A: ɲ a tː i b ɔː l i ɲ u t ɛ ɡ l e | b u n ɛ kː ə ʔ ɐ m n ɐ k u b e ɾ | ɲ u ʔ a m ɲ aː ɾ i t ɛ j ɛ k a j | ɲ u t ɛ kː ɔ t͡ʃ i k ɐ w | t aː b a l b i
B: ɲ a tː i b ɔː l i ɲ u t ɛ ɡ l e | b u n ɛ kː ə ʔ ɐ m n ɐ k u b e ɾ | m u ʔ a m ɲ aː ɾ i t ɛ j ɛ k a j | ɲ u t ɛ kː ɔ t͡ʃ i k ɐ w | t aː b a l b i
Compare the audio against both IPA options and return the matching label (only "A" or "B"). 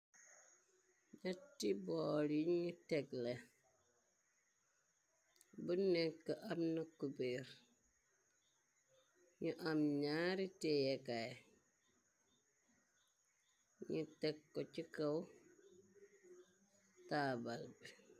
A